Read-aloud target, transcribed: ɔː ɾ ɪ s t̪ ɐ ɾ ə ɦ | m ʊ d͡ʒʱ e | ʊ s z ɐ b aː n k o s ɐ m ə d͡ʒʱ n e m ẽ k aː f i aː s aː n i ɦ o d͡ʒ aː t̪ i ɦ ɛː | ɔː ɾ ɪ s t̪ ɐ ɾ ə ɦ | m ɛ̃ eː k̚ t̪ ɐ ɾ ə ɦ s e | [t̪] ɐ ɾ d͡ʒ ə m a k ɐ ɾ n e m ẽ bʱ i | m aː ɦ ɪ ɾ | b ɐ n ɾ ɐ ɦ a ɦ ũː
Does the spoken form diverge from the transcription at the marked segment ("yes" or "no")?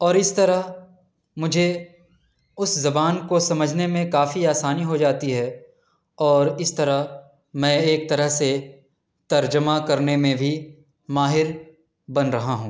no